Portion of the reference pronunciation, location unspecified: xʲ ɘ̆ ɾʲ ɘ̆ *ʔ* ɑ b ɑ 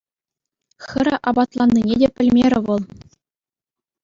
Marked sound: correct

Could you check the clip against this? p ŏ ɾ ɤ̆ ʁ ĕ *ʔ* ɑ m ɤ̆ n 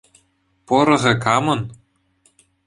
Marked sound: incorrect: k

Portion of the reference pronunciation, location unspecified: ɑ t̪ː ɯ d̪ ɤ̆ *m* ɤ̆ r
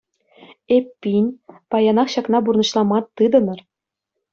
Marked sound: incorrect: n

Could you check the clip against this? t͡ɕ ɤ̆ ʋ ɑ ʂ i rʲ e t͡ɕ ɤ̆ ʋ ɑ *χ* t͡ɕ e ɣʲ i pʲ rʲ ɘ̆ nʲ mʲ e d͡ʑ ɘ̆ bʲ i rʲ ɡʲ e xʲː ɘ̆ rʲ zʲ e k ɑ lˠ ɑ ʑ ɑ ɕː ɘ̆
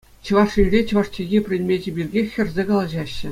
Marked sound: incorrect: ʂ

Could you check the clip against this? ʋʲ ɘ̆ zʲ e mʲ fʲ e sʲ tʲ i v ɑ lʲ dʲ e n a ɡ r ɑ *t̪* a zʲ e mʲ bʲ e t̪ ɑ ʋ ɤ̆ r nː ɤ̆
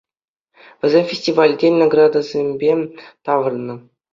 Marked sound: incorrect: d̪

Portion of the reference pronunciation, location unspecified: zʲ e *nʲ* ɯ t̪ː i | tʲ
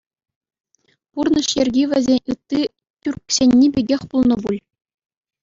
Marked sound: correct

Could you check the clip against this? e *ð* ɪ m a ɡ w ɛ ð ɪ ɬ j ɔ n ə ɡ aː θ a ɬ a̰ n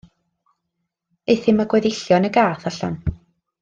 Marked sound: incorrect: θ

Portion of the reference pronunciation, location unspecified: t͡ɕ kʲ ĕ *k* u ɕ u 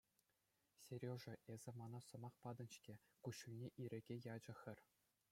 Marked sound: correct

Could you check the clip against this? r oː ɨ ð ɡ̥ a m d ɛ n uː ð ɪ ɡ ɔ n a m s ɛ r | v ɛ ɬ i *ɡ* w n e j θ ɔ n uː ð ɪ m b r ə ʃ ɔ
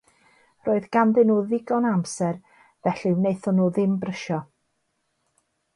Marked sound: incorrect: none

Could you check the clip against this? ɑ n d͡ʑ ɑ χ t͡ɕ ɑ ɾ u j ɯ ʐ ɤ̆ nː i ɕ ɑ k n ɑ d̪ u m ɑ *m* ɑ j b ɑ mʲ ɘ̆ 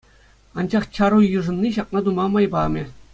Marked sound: correct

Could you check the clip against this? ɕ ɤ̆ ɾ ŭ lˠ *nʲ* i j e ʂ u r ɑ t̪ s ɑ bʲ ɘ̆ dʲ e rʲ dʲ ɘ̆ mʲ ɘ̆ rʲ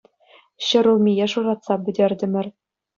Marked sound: incorrect: mʲ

